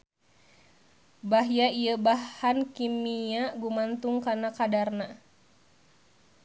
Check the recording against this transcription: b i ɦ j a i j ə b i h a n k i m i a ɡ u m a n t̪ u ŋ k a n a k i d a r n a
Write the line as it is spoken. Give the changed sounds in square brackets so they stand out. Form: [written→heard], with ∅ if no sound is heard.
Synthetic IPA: b [i→a] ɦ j a i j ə b [i→a] h a n k i m i a ɡ u m a n t̪ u ŋ k a n a k [i→a] d a r n a